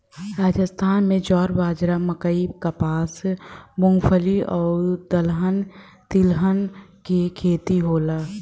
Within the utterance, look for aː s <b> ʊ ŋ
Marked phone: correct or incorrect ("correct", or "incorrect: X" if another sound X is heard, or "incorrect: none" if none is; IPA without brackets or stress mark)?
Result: incorrect: m